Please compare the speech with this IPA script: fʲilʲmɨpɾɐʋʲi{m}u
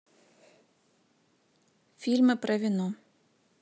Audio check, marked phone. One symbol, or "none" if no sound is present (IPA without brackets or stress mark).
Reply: n